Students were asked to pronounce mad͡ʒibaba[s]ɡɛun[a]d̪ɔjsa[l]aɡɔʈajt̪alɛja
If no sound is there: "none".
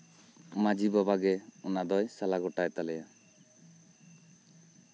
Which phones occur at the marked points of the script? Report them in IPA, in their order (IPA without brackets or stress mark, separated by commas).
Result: none, a, l